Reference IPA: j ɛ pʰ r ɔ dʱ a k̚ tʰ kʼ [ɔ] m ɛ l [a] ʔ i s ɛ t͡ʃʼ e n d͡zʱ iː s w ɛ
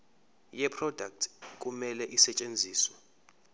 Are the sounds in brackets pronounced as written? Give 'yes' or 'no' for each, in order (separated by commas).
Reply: no, no